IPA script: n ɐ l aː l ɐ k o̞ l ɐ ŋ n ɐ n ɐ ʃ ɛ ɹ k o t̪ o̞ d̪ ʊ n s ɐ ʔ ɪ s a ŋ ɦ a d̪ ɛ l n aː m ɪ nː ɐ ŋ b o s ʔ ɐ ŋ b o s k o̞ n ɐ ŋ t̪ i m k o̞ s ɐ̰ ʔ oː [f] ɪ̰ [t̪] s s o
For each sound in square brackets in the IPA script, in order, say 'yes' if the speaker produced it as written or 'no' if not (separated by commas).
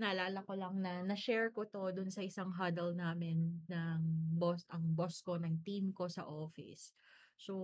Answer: yes, no